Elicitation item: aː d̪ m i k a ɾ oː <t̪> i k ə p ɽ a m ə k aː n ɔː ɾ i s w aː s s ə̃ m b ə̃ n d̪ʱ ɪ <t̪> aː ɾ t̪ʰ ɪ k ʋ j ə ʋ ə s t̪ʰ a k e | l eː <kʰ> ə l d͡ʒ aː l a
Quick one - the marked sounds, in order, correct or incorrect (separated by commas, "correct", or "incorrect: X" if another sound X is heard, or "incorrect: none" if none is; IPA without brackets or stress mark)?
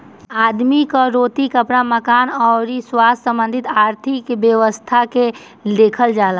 correct, correct, correct